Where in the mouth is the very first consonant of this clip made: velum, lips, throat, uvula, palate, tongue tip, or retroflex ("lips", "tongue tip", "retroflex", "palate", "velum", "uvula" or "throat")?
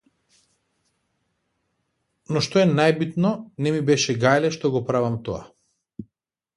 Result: tongue tip